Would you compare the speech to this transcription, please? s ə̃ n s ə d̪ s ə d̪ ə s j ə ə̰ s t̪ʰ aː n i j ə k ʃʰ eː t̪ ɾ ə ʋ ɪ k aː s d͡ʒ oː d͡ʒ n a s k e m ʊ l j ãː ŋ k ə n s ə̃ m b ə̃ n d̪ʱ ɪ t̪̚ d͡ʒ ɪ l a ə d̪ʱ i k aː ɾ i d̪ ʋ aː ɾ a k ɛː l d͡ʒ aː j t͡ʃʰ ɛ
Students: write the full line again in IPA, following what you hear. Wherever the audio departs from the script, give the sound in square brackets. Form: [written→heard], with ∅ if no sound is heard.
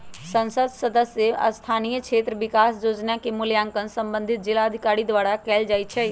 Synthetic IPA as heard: s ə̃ n s ə d̪ s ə d̪ ə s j ə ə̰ s t̪ʰ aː n i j ə k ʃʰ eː t̪ ɾ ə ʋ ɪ k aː s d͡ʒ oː d͡ʒ n a [s→∅] k e m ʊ l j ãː ŋ k ə n s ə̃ m b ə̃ n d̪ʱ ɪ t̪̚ d͡ʒ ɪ l a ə d̪ʱ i k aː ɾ i d̪ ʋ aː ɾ a k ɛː l d͡ʒ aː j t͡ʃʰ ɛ